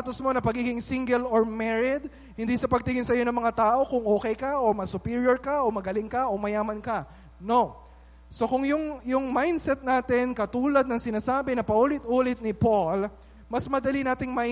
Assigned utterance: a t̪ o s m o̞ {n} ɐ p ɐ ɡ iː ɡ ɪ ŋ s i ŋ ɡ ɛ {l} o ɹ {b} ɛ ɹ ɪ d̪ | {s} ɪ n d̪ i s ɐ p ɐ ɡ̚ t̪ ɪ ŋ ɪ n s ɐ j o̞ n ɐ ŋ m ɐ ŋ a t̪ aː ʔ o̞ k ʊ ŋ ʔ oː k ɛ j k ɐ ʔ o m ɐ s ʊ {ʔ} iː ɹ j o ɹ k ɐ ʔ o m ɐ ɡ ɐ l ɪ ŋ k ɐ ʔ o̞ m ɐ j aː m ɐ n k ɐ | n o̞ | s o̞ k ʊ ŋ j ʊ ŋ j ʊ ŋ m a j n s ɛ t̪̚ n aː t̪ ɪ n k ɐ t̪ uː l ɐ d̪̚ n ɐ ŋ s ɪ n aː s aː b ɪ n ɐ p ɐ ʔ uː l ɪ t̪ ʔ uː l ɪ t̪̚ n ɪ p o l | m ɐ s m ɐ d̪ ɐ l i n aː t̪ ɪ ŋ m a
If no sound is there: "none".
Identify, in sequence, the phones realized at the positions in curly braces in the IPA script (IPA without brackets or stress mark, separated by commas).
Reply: n, l, m, h, p